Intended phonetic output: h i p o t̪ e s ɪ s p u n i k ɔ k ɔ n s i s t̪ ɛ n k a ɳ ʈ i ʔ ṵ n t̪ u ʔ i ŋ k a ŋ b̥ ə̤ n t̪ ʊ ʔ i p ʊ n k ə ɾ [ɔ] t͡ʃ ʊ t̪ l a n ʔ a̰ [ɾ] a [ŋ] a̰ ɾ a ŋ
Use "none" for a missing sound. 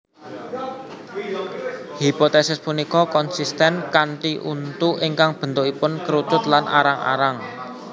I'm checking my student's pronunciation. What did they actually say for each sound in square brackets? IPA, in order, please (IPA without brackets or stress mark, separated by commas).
u, ɾ, ŋ